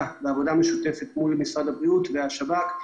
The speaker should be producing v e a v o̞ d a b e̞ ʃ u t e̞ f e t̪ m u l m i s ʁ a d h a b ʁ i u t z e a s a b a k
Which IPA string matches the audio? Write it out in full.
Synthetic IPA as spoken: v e a v o̞ d a m e̞ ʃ u t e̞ f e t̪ m u l m i s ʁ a d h a b ʁ i u t v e a ʃ a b a k